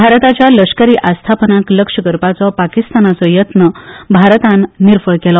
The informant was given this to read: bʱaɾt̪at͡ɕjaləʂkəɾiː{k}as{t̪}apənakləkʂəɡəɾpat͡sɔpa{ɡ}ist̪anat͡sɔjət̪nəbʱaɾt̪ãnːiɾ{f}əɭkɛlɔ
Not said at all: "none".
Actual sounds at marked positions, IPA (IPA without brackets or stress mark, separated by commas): ʔ, t̪ʰ, k, f